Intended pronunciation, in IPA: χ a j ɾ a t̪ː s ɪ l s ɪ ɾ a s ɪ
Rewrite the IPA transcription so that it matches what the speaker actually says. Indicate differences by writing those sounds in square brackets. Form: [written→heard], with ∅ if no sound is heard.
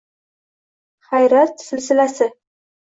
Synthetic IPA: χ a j ɾ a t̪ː s ɪ l s ɪ [ɾ→l] a s ɪ